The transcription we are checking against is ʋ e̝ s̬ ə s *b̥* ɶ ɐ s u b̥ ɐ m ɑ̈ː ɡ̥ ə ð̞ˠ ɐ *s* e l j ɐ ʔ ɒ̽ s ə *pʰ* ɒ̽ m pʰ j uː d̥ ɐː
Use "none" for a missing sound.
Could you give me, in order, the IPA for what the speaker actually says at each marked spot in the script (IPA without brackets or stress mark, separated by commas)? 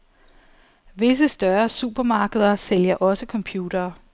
d̥, s, kʰ